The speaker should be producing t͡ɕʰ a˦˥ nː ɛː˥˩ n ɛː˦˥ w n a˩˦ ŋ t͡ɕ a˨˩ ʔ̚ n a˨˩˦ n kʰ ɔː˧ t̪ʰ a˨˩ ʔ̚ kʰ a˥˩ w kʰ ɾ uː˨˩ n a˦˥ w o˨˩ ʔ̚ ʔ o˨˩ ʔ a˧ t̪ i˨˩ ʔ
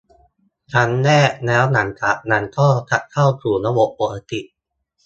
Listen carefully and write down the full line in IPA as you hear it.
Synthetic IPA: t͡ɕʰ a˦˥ nː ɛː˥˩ n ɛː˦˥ w n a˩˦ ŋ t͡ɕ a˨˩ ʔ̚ n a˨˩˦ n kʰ ɔː˥˩ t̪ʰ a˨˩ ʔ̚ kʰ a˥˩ w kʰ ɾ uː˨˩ n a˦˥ w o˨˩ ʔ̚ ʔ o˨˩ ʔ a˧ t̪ i˨˩ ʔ